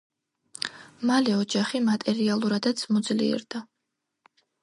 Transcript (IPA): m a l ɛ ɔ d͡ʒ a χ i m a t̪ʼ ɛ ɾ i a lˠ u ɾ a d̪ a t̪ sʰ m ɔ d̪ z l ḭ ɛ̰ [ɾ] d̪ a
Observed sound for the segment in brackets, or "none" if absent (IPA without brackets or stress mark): ɾ